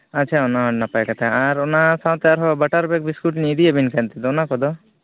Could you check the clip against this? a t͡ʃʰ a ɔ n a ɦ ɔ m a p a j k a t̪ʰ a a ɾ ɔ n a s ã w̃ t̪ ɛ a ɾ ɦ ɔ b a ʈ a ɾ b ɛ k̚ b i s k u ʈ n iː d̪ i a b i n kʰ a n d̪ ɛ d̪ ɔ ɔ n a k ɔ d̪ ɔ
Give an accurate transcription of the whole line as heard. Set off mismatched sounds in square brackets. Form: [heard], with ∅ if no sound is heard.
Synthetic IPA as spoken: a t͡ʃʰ a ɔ n a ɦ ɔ [n] a p a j k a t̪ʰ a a ɾ ɔ n a s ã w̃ t̪ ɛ a ɾ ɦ ɔ b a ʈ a ɾ b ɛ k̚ b i s k u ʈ n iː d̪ i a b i n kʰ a n [t̪] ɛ d̪ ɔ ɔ n a k ɔ d̪ ɔ